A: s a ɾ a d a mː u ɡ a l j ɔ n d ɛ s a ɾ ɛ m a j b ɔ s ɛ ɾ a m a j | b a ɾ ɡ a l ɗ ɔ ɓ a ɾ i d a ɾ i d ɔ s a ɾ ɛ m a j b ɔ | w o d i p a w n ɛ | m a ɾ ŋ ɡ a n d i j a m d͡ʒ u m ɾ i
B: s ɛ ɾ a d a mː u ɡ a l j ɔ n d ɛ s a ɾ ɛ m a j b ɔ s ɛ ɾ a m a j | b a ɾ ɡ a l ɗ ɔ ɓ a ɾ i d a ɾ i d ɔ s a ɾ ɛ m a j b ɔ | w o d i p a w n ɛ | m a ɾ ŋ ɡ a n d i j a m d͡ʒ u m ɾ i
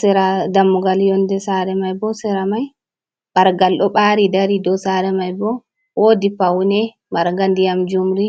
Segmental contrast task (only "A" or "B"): B